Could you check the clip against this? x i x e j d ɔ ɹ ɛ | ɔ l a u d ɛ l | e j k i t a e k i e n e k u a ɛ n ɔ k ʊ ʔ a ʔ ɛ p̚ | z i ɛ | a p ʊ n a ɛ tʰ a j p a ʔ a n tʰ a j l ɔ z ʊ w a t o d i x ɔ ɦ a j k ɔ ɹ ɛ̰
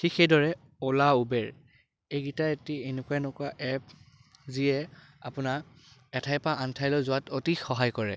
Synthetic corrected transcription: x i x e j d ɔ ɹ ɛ | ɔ l a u b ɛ ɹ | e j ɡ i t a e t i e n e k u a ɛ n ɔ k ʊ a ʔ ɛ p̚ | z i ɛ | a p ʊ n a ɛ tʰ a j p a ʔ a n tʰ a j l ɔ z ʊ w a t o t i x ɔ ɦ a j k ɔ ɹ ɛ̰